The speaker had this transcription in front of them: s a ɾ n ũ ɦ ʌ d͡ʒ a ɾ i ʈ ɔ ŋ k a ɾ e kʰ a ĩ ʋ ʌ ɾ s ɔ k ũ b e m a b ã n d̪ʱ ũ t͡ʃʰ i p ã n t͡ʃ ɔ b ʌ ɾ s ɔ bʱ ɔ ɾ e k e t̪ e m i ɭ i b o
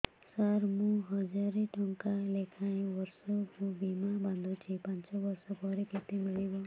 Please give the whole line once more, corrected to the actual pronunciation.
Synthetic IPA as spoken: s a ɾ m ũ ɦ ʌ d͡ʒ a ɾ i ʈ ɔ ŋ k a l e kʰ a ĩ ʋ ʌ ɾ s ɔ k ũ b i m a b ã n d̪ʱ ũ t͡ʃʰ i p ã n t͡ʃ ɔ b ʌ ɾ s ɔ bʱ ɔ ɾ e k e t̪ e m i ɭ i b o